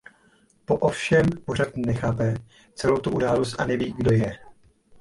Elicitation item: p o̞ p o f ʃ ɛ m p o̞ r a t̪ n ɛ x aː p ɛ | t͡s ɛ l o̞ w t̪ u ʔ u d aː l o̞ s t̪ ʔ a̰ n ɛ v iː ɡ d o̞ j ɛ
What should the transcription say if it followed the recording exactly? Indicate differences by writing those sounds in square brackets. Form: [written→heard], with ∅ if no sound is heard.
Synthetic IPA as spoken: p o̞ [p→ʔ] o f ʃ ɛ m p o̞ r a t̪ n ɛ x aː p ɛ | t͡s ɛ l o̞ w t̪ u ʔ u d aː l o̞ s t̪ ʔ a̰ n ɛ v iː ɡ d o̞ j ɛ